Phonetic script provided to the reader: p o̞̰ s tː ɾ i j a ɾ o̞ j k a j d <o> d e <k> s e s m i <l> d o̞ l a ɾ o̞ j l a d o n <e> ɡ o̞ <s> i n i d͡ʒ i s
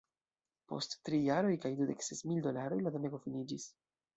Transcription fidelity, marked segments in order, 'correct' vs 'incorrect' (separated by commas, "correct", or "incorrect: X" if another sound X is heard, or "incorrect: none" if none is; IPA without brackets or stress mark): incorrect: u, correct, correct, correct, incorrect: f